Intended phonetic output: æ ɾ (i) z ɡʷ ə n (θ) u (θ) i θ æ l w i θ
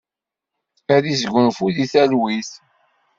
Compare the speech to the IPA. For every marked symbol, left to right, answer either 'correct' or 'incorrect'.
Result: correct, incorrect, incorrect

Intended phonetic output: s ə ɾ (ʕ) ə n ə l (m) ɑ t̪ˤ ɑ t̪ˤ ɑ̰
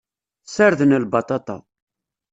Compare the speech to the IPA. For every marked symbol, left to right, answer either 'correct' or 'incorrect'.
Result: incorrect, incorrect

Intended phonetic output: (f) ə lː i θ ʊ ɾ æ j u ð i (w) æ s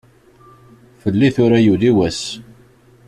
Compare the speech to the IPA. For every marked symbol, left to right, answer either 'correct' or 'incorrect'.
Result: correct, correct

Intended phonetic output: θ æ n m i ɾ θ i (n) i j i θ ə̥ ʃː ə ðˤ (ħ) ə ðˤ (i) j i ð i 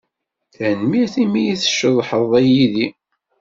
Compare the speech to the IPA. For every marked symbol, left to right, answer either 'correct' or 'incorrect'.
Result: incorrect, correct, incorrect

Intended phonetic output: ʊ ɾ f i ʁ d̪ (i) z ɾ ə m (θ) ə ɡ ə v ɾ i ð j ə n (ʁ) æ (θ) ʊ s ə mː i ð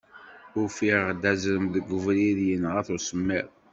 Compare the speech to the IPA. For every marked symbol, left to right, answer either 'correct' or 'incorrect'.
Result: incorrect, incorrect, correct, correct

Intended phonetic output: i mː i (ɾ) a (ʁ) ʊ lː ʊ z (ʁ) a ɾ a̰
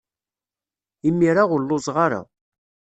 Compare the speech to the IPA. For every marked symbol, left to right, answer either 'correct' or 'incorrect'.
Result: correct, correct, correct

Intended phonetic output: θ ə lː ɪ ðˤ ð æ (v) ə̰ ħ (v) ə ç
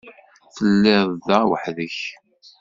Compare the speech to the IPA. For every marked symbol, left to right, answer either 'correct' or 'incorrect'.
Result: incorrect, incorrect

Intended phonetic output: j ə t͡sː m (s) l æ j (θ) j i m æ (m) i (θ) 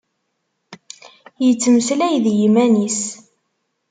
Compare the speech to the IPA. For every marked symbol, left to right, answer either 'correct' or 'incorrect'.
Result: correct, incorrect, incorrect, incorrect

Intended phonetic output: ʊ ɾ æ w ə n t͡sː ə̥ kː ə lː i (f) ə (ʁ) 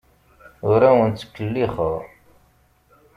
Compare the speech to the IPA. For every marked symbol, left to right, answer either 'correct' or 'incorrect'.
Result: incorrect, correct

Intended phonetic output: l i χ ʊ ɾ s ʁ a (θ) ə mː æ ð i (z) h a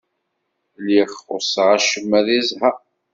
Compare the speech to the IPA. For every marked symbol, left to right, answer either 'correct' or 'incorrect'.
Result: incorrect, correct

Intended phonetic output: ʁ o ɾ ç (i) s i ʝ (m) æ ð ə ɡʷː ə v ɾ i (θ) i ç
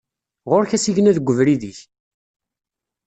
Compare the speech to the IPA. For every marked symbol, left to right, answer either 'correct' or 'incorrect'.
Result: incorrect, incorrect, incorrect

